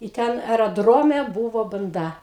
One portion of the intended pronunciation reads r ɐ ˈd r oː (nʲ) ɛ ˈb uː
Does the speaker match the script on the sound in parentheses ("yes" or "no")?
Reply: no